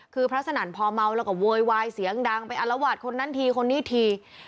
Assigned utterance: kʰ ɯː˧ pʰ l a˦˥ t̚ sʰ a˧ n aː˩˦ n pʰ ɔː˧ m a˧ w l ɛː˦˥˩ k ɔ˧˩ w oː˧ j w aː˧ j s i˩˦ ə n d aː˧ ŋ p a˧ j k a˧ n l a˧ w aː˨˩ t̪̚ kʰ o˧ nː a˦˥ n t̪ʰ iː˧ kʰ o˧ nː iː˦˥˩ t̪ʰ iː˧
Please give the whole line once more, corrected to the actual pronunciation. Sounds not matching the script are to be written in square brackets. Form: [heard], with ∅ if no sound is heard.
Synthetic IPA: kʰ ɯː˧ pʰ [ɾ] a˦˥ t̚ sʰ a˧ n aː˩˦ n pʰ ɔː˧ m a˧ w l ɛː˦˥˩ k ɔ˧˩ w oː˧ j w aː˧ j s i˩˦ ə [ŋ] d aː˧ ŋ p a˧ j [ʔ] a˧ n l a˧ w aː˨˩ t̪̚ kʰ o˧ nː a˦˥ n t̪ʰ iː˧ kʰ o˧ nː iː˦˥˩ t̪ʰ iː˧